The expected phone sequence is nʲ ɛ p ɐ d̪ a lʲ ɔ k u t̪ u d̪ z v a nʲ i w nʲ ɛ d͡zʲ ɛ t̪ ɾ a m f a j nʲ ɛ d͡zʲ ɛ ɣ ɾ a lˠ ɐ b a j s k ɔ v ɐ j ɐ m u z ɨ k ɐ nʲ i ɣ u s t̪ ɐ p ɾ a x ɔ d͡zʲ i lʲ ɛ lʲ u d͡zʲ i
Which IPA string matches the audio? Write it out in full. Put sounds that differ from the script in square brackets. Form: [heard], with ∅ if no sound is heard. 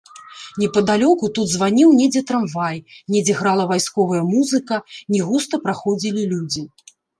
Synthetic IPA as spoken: nʲ ɛ p ɐ d̪ a lʲ ɔ k u t̪ u d̪ z v a nʲ i w nʲ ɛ d͡zʲ ɛ t̪ ɾ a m [v] a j nʲ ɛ d͡zʲ ɛ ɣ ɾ a lˠ ɐ [v] a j s k ɔ v ɐ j ɐ m u z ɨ k ɐ nʲ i ɣ u s t̪ ɐ p ɾ a x ɔ d͡zʲ i lʲ [i] lʲ u d͡zʲ i